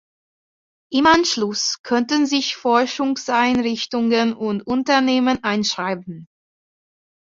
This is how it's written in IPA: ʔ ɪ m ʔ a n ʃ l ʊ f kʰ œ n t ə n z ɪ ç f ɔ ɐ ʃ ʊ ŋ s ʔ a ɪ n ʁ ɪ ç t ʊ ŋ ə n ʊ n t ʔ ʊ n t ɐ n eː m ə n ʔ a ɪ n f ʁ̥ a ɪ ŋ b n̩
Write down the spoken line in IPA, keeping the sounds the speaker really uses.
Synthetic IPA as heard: ʔ ɪ m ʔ a n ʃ l ʊ s kʰ œ n t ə n z ɪ ç f ɔ ɐ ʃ ʊ ŋ s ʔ a ɪ n ʁ ɪ ç t ʊ ŋ ə n ʊ n t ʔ ʊ n t ɐ n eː m ə n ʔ a ɪ n ʃ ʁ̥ a ɪ b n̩